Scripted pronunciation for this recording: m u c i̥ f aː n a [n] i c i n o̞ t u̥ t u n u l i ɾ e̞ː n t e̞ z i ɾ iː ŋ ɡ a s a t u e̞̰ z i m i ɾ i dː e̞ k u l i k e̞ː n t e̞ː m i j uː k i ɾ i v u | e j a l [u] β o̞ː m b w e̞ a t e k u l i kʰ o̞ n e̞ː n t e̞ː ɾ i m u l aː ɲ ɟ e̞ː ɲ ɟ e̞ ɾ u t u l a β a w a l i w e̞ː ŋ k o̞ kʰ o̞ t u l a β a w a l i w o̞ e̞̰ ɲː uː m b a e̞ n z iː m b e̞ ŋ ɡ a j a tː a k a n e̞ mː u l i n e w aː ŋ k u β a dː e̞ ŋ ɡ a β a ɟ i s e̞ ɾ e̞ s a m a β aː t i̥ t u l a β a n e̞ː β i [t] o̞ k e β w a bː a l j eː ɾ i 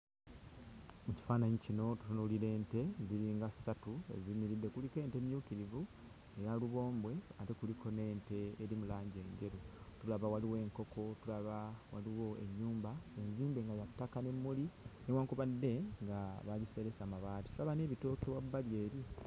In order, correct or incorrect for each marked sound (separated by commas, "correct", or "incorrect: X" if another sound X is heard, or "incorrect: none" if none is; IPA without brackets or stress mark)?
incorrect: ɲ, correct, correct